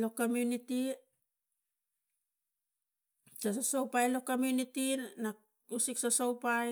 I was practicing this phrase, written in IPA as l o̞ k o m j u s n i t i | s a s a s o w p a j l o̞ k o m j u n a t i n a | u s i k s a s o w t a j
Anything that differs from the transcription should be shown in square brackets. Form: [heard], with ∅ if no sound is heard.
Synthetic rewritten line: l o̞ k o m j u [∅] n i t i | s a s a s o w p a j l o̞ k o m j u n [i] t i n a | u s i k s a s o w [p] a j